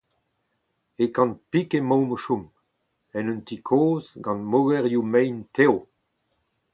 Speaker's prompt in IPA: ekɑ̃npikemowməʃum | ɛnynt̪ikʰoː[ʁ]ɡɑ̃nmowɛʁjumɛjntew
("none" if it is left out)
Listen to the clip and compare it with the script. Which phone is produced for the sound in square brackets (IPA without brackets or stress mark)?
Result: z